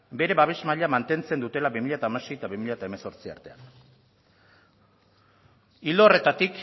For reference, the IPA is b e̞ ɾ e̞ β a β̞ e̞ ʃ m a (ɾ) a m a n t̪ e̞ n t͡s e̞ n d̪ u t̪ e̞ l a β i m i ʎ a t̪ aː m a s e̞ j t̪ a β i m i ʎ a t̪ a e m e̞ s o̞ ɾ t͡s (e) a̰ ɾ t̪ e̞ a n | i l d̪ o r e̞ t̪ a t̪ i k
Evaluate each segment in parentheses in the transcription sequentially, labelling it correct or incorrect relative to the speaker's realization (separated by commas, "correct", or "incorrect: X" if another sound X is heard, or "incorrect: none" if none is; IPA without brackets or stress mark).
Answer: incorrect: ʎ, incorrect: i